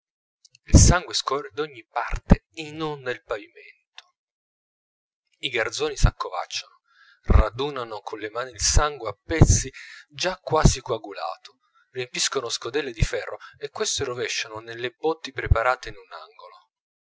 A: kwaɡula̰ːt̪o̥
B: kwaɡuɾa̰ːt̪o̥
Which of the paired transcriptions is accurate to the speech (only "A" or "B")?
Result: A